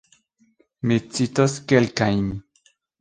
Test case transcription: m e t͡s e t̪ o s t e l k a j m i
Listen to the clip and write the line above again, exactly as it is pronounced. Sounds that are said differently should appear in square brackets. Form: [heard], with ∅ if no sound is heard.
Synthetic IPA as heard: m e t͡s [i] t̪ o s [k] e l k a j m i